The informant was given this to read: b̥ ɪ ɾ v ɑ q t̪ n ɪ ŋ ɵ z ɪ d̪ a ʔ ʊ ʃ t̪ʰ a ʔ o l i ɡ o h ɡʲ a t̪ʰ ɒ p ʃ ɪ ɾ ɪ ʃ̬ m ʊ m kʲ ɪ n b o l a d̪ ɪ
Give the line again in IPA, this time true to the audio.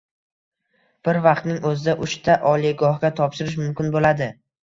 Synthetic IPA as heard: b̥ ɪ ɾ v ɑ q t̪ n ɪ ŋ ɵ z ɪ d̪ a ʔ ʊ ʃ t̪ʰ a ʔ ɒ l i ɡ ɒ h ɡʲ a t̪ʰ ɒ p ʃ ɪ ɾ ɪ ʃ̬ m ʊ m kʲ ɪ n b o l a d̪ ɪ